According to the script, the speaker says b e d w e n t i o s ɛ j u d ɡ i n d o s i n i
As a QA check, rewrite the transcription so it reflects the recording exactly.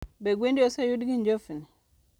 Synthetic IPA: b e ɡ w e n d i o s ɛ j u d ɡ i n d͡ʒ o f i n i